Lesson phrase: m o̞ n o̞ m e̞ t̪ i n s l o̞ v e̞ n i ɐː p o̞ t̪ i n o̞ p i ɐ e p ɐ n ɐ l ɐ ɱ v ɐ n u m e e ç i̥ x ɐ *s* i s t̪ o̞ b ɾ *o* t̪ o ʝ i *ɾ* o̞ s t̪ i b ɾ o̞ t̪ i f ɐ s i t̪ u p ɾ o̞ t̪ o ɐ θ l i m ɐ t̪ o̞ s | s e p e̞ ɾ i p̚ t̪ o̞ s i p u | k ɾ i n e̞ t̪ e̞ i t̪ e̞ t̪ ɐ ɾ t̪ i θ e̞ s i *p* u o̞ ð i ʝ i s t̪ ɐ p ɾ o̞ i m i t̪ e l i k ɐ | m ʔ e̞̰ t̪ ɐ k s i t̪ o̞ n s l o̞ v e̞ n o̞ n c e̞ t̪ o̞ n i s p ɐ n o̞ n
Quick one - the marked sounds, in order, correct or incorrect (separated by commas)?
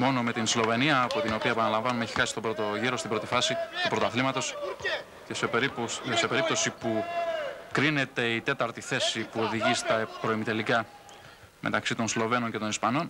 correct, correct, correct, correct